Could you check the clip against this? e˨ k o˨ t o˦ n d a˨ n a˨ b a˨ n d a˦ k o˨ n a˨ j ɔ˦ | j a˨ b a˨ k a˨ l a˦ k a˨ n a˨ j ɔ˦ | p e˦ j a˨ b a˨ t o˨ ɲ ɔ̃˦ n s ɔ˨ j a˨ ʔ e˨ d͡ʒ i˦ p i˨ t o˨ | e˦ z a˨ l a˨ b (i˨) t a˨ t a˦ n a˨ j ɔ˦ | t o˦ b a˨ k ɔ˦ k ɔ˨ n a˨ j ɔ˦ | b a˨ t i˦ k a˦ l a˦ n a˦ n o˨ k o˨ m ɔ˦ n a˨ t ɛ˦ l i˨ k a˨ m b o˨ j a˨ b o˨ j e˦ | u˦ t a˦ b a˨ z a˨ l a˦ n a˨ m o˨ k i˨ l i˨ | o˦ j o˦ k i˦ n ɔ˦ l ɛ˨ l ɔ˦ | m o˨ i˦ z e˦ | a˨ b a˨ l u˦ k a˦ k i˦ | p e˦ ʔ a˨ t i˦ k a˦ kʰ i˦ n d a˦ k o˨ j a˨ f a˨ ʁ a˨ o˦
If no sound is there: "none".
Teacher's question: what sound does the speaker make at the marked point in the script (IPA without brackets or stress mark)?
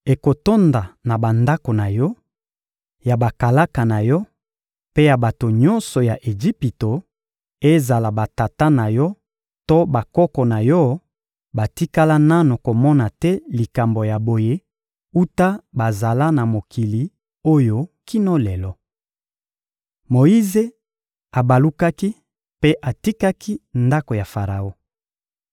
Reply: a˨